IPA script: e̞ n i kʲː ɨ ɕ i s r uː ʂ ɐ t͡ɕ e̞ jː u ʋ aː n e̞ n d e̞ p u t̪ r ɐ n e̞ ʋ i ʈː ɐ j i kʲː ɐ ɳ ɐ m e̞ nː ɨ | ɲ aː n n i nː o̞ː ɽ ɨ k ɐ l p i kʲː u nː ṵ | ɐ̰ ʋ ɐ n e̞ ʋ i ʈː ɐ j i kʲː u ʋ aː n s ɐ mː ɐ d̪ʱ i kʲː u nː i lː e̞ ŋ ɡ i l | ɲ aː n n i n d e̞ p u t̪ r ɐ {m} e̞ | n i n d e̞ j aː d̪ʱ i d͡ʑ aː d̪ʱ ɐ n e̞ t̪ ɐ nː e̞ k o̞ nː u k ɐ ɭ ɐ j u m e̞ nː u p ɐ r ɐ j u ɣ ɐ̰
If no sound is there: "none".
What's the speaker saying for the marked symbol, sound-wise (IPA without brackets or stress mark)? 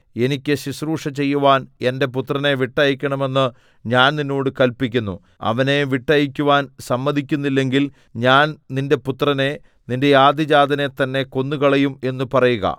n